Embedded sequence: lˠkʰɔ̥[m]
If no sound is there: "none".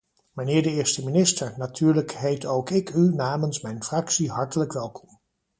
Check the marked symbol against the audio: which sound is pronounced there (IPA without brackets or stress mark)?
m